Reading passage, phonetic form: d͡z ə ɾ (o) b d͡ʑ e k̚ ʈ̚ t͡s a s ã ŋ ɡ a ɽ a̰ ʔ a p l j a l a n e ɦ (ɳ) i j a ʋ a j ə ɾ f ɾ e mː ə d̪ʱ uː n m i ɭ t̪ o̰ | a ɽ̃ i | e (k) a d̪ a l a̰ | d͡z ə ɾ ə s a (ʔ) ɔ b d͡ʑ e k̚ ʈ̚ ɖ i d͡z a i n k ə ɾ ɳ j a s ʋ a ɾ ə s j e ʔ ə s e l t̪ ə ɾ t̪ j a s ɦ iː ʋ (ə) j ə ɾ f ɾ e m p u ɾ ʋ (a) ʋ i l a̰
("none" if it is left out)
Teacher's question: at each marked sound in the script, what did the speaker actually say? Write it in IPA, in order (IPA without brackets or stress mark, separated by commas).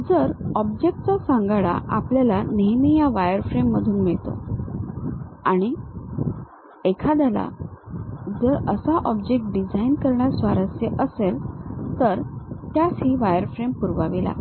ɔ, m, kʰ, ʔ, a, a